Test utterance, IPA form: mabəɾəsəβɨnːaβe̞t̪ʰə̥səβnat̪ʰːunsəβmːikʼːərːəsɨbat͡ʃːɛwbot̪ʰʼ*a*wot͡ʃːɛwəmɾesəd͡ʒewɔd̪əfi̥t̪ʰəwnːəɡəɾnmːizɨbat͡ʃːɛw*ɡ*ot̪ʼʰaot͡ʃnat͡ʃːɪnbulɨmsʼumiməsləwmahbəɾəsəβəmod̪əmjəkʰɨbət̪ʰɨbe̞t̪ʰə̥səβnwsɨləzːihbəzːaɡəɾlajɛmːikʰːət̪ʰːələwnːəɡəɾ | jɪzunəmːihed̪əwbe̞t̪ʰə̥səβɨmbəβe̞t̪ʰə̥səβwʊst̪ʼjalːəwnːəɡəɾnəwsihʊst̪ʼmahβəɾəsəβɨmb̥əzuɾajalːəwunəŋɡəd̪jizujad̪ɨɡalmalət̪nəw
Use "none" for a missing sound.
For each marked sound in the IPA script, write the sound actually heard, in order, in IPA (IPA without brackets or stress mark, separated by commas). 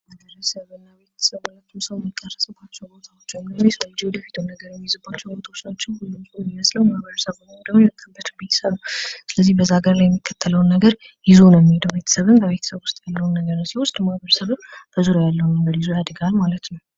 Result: a, b